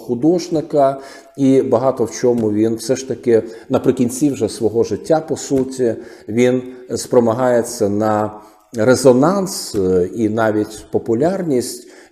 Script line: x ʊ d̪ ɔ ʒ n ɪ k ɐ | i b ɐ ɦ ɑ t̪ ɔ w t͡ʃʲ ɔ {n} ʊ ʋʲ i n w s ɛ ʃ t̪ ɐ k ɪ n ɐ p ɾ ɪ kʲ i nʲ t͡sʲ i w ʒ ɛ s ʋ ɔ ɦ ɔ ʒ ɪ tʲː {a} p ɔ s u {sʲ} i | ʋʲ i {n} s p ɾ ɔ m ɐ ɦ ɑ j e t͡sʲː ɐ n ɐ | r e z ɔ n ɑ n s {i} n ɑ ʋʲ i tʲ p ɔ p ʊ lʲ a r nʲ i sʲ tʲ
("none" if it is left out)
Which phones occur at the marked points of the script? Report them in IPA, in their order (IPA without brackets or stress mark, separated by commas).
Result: m, a, tʲ, n, i